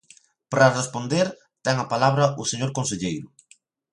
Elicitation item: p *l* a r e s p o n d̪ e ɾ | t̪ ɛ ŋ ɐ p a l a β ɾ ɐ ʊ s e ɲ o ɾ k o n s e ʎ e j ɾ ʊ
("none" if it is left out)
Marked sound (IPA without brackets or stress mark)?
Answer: ɾ